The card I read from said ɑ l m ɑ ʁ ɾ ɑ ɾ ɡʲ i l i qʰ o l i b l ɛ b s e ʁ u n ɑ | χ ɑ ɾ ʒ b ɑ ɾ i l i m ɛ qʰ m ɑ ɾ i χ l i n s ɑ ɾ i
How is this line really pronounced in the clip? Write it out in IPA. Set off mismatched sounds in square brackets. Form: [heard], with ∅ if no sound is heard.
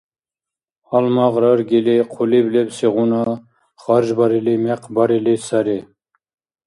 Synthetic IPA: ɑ l m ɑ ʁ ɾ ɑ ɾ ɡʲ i l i qʰ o l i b l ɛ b s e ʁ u n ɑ | χ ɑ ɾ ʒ b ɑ ɾ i l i m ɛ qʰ [b] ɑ ɾ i [∅] l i [∅] s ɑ ɾ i